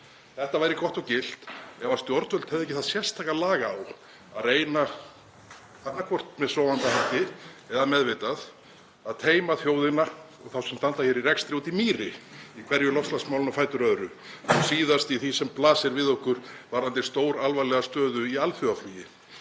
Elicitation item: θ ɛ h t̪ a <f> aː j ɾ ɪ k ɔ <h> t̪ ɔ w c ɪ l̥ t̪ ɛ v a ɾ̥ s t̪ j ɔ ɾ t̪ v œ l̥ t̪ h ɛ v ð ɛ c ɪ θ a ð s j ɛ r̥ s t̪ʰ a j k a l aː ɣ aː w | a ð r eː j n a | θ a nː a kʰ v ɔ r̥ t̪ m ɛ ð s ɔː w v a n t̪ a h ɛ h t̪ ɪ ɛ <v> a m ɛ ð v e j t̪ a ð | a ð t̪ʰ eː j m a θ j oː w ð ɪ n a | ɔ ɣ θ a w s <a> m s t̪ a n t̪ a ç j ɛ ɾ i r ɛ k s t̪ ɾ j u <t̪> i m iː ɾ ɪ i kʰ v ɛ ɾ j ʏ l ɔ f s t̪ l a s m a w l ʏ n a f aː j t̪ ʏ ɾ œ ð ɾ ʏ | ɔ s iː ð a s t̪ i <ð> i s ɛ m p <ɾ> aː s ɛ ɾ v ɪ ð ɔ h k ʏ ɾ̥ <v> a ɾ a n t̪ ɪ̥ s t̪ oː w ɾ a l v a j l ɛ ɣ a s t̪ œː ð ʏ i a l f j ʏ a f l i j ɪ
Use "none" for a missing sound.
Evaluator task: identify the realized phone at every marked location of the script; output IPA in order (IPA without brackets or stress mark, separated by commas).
v, h, ð, ɛ, t̪, θ, l, v